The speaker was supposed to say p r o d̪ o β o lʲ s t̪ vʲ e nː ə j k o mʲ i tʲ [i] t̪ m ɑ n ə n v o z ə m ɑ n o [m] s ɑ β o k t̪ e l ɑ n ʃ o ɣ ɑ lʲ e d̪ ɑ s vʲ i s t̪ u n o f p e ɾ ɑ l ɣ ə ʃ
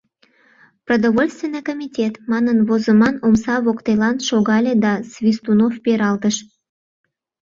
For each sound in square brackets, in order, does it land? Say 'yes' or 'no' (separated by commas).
no, yes